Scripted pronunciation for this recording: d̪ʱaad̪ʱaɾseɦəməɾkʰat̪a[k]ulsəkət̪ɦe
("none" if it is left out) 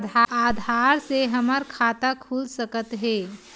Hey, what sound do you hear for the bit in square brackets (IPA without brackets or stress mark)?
kʰ